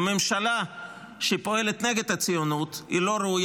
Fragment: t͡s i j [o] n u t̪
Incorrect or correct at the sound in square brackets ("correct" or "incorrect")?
correct